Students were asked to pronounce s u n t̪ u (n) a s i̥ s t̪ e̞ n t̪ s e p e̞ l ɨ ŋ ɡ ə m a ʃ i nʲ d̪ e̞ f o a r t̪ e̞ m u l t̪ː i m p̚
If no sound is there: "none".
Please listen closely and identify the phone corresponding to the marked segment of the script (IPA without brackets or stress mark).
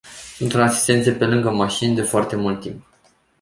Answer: n